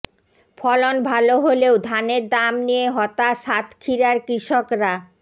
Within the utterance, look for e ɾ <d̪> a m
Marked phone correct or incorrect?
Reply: correct